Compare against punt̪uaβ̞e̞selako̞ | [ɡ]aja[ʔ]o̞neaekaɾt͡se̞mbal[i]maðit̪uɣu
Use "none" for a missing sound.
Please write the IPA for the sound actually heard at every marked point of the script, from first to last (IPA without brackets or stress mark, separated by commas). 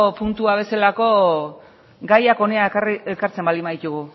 ɡ, k, i